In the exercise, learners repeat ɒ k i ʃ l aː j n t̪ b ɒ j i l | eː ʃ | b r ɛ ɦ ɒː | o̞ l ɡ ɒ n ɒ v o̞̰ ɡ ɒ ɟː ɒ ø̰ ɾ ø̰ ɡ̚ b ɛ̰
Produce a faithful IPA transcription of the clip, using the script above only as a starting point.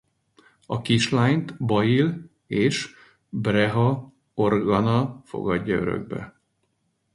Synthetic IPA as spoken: ɒ k i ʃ l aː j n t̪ b ɒ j i l | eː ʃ | b r ɛ ɦ ɒ | o̞ r ɡ ɒ n ɒ f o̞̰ ɡ ɒ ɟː ɒ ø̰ ɾ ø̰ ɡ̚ b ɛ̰